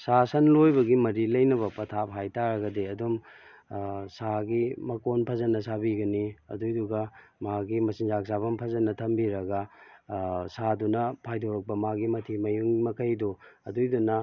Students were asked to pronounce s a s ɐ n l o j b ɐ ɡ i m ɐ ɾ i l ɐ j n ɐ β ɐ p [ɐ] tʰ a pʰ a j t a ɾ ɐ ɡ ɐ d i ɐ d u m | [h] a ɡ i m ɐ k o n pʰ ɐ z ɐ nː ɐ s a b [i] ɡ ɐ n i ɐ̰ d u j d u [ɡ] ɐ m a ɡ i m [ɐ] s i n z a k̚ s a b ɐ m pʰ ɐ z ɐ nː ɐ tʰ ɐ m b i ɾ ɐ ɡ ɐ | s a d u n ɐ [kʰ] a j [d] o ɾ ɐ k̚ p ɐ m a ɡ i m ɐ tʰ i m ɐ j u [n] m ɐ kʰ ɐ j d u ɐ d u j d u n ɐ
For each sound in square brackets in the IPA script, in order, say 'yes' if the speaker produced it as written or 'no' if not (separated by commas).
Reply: yes, no, yes, yes, yes, no, yes, no